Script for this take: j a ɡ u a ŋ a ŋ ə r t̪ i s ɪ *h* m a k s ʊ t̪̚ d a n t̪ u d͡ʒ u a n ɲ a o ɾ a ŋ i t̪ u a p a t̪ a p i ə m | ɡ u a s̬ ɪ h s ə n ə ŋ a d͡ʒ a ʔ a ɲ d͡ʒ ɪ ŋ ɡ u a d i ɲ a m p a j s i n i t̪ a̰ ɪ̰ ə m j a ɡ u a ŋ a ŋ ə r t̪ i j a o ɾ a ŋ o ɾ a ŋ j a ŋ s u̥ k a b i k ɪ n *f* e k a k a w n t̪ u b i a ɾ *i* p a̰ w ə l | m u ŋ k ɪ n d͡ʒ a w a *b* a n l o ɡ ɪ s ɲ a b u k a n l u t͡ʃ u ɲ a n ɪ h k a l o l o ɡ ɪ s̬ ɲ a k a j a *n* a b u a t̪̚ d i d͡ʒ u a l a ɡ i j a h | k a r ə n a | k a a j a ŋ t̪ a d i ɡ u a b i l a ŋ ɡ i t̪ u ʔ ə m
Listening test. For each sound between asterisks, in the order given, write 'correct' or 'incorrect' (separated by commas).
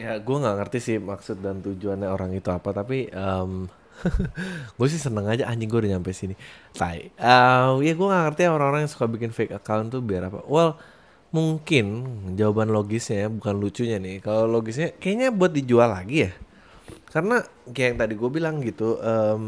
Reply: correct, correct, incorrect, correct, incorrect